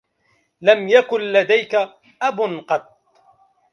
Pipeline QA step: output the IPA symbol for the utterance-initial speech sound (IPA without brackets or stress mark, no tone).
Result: l